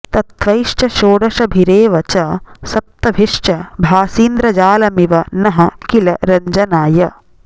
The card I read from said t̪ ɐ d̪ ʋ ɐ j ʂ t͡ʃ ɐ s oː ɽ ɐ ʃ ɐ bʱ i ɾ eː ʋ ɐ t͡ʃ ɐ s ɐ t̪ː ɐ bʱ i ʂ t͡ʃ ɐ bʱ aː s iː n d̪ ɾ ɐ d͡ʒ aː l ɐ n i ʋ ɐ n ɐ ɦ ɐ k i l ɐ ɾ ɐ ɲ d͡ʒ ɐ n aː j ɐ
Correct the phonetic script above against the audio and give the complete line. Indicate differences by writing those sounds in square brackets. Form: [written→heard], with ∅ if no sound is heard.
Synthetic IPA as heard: t̪ ɐ [d̪→t̪] ʋ ɐ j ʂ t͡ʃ ɐ [s→ʃ] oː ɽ ɐ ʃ ɐ bʱ i ɾ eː ʋ ɐ t͡ʃ ɐ s ɐ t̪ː ɐ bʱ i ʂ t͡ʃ ɐ bʱ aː s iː n d̪ ɾ ɐ d͡ʒ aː l ɐ [n→m] i ʋ ɐ n ɐ ɦ ɐ k i l ɐ ɾ ɐ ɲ d͡ʒ ɐ n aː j ɐ